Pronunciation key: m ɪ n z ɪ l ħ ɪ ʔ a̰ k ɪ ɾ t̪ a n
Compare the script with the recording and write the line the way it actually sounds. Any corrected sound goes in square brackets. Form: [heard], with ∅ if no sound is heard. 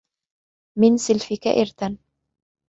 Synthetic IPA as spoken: m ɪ n [s] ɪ l [f] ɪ [k] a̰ [ʔ] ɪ ɾ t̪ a n